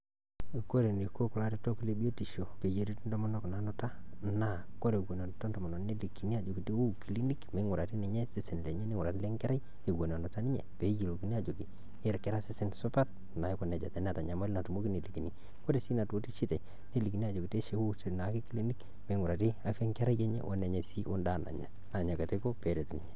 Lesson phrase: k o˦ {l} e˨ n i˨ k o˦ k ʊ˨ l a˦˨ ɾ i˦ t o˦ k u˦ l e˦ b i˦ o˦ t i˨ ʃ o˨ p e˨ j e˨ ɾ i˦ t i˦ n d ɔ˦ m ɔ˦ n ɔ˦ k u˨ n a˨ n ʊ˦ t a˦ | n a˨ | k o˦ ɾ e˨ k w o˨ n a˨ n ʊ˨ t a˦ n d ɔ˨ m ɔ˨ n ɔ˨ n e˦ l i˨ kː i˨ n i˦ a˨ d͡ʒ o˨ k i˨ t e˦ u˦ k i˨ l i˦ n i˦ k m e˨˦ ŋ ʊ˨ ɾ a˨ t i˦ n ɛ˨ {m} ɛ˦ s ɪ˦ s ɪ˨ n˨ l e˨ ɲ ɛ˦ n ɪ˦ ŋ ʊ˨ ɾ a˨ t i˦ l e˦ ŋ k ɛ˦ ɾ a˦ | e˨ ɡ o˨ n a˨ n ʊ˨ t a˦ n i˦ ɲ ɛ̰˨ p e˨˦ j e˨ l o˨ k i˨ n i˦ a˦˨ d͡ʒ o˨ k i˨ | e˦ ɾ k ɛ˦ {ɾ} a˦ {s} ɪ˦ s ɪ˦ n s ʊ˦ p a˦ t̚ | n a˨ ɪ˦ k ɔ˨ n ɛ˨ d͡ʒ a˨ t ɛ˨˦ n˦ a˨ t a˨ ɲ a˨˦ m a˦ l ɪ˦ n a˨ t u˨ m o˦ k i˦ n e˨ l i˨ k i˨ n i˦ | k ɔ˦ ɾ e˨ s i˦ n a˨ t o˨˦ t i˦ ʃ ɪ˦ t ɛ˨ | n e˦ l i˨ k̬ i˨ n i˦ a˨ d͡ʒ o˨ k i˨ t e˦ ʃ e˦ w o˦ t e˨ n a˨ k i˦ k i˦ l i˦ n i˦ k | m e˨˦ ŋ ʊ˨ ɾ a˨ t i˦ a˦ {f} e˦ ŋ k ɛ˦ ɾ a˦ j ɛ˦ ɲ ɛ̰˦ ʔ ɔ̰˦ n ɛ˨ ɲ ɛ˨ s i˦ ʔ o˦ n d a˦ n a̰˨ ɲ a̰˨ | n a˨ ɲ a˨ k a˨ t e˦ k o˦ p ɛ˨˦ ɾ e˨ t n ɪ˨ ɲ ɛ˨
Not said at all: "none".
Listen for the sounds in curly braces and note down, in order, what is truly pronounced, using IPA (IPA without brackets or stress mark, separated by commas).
ɾ, ɲ, ɾ, s, f